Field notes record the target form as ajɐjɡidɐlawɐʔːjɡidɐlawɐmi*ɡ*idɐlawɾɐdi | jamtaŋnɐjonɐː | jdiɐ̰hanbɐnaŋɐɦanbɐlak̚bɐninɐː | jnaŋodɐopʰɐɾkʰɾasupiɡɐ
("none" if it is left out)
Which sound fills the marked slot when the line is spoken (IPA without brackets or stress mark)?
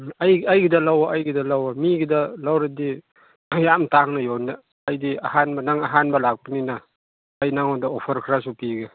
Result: ɡ